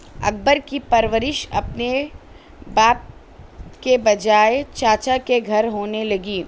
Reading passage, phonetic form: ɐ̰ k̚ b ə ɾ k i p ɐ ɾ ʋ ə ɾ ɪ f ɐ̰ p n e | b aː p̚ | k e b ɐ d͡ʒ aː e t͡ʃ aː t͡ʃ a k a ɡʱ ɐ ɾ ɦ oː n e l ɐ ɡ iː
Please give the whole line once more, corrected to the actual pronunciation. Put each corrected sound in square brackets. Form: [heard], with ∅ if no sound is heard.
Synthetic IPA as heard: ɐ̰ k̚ b ə ɾ k i p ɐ ɾ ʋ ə ɾ ɪ [ʃ] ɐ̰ p n e | b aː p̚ | k e b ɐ d͡ʒ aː e t͡ʃ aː t͡ʃ a k [e] ɡʱ ɐ ɾ ɦ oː n e l ɐ ɡ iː